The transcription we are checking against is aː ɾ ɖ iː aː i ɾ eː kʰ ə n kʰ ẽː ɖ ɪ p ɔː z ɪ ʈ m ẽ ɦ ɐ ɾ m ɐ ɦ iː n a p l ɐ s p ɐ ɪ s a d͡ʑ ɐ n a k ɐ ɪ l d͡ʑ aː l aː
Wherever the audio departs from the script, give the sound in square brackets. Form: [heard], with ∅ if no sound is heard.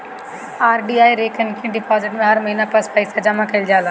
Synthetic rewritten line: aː ɾ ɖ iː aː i ɾ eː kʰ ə n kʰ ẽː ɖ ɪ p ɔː z ɪ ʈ m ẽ ɦ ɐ ɾ m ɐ ɦ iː n a p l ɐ s p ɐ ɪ s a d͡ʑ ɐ [m] a k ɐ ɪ l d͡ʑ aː l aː